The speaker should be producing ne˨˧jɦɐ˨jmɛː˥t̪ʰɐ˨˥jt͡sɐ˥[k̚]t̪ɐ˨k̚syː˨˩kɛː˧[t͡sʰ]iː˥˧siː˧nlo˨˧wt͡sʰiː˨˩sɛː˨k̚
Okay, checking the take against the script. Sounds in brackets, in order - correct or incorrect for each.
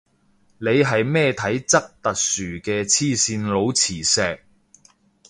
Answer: correct, correct

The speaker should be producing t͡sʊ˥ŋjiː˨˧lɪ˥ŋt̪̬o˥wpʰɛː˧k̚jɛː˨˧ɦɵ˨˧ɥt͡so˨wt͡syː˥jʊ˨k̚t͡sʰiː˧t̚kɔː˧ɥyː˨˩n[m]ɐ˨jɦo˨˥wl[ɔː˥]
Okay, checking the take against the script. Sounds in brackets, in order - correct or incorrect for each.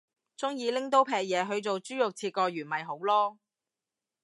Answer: correct, correct

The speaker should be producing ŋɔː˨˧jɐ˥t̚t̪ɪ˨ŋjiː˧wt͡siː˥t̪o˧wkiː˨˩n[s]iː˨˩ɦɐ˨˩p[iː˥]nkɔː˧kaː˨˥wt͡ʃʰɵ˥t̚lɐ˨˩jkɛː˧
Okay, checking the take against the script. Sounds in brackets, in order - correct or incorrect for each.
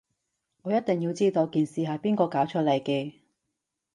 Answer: correct, correct

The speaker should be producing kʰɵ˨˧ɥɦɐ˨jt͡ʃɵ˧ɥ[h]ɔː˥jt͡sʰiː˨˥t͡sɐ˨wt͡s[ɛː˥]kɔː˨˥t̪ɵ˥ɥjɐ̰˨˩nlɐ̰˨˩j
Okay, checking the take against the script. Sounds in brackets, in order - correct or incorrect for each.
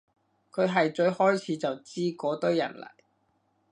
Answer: correct, incorrect: iː˥

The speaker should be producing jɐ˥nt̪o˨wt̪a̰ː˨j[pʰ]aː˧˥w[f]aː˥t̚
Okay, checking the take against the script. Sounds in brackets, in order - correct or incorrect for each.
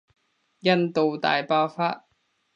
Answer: incorrect: p, correct

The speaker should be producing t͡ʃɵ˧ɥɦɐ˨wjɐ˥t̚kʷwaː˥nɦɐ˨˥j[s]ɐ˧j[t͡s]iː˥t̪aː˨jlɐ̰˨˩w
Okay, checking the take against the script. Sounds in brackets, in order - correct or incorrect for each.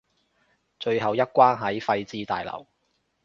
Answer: incorrect: f, correct

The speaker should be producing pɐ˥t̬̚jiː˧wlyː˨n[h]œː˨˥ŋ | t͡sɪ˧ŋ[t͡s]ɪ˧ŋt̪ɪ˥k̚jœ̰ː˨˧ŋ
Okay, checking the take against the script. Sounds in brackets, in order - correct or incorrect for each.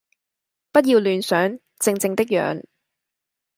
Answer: incorrect: s, correct

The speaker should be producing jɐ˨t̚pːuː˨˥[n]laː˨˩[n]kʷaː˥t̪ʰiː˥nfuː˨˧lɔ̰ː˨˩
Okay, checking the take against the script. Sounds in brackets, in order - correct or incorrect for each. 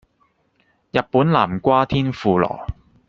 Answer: correct, incorrect: m

